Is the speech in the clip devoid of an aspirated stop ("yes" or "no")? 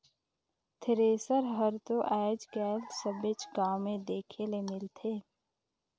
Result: no